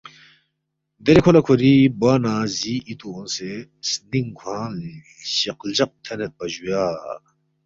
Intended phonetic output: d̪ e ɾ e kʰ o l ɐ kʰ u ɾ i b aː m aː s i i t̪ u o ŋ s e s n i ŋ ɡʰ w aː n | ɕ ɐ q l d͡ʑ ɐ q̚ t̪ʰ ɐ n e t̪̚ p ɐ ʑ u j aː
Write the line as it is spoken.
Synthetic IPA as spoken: d̪ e ɾ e kʰ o l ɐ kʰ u ɾ i b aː n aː z i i t̪ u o n s e s n i ŋ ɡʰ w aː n | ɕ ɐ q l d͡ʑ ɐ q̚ t̪ʰ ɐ n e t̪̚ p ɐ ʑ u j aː